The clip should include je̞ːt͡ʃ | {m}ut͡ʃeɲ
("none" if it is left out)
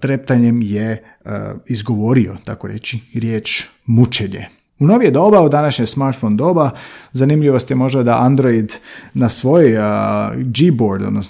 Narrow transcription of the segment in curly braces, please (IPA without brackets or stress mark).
m